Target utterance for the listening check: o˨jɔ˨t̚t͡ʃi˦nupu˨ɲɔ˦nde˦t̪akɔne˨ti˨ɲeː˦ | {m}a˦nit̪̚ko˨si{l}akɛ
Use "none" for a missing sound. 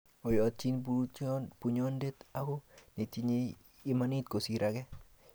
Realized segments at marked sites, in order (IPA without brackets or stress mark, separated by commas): m, ɾ